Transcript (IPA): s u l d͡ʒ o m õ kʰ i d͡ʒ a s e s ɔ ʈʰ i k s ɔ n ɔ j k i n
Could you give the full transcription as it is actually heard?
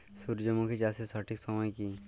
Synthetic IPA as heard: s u ɾ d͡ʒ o m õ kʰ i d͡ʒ a s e s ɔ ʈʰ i k s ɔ m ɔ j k i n